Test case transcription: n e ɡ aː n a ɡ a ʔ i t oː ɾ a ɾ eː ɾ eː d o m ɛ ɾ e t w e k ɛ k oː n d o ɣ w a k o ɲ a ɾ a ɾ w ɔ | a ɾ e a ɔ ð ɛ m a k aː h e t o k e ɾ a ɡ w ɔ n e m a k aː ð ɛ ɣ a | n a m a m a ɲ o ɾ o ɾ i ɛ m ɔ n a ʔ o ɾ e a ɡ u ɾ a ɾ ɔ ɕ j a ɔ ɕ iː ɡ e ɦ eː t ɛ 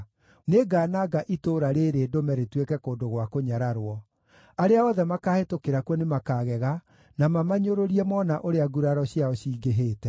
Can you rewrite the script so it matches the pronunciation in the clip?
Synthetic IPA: n e ɡ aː n a ɡ a ʔ i t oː ɾ a ɾ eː ɾ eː d o m ɛ ɾ e t w e k ɛ k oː n d o ɣ w a k o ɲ a ɾ a ɾ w ɔ | a ɾ e a ɔ ð ɛ m a k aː h e t o k e ɾ a k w ɔ n e m a k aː ɣ ɛ ɣ a | n a m a m a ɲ o ɾ o ɾ i ɛ m ɔ n a ʔ o ɾ e a ɡ u ɾ a ɾ ɔ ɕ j a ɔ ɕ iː ɡ e ɦ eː t ɛ